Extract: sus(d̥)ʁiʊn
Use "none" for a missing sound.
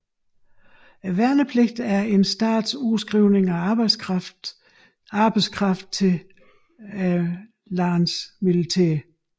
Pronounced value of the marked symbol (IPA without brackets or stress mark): ɡ̥